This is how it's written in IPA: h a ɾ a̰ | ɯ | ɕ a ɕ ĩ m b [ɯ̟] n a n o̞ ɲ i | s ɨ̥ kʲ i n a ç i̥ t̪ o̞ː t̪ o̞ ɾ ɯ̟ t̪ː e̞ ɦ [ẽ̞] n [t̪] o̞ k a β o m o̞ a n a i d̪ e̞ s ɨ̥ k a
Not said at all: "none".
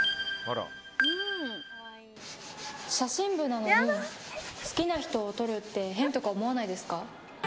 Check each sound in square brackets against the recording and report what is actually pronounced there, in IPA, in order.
ɯ̟, ẽ̞, t̪

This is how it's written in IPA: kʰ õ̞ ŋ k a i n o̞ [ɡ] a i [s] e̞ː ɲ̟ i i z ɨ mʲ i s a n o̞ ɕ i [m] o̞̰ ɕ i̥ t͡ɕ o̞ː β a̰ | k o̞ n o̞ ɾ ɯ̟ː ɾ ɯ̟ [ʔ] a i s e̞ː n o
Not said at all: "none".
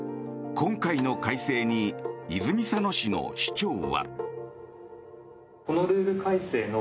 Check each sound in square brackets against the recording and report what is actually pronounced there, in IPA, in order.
k, s, n, k

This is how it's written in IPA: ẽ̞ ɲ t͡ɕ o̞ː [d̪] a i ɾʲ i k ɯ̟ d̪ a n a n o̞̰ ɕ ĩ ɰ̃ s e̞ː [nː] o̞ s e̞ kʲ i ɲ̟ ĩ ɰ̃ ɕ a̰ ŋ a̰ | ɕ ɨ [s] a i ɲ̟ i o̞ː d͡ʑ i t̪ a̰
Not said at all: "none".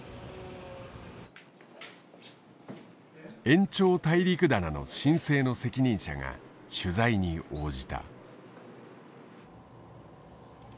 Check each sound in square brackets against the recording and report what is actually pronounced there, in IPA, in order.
t̪, n, z

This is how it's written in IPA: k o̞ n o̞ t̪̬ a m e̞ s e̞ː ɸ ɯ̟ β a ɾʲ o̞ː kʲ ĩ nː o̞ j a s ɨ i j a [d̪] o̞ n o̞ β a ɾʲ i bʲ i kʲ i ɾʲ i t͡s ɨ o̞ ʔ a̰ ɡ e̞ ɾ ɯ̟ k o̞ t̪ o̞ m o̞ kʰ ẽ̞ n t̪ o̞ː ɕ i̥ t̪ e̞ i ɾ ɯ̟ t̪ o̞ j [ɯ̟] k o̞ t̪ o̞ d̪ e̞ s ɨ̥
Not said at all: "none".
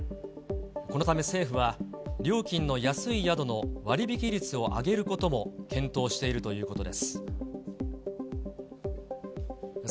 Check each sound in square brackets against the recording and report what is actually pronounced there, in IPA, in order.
d̪, ɯ̟ː

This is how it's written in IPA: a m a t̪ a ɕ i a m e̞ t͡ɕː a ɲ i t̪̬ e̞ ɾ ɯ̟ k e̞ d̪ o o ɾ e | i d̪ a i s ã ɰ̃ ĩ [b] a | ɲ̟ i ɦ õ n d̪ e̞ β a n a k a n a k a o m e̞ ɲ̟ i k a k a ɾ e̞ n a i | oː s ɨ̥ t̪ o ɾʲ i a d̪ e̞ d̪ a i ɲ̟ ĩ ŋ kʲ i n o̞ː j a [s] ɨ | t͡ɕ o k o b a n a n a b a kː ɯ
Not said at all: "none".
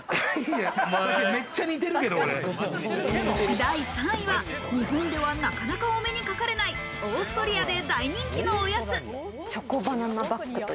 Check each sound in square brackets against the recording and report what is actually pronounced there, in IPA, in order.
β, t͡s

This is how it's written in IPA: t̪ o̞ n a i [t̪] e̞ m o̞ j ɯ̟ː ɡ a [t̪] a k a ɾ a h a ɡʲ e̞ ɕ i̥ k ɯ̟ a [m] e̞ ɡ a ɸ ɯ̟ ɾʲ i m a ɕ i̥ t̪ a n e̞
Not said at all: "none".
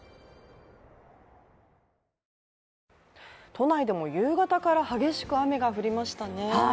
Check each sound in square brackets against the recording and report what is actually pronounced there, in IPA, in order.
d̪, t̪, m

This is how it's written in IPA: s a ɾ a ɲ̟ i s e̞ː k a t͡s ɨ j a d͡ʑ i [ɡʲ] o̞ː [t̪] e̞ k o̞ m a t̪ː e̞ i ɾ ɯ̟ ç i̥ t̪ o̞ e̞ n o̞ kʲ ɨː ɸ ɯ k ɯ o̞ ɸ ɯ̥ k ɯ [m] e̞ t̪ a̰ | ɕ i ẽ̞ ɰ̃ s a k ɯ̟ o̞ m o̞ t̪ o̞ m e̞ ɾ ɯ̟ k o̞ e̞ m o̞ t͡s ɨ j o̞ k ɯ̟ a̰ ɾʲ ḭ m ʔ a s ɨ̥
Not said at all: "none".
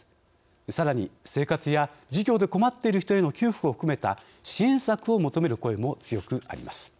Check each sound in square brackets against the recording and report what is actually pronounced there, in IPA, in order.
ɡʲ, d̪, m

